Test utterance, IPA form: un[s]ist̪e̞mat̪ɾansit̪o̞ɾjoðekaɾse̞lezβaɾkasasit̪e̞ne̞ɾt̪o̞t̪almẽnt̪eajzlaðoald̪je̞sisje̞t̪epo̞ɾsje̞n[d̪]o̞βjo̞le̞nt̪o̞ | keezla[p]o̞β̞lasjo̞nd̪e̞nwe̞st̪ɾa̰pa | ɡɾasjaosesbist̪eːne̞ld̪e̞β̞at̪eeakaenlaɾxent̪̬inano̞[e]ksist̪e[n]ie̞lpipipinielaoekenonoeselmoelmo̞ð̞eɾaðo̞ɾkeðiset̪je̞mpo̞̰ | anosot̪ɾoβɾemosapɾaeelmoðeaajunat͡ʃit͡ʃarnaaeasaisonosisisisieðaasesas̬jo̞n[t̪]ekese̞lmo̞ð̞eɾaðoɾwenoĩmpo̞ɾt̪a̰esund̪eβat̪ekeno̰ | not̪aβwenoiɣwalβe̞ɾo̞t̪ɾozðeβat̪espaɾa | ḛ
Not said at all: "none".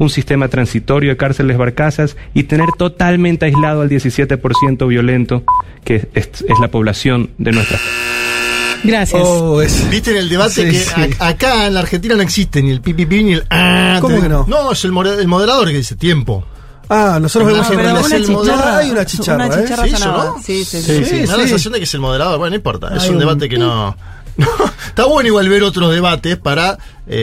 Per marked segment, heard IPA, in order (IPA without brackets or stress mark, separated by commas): s, t̪, p, e, n, d̪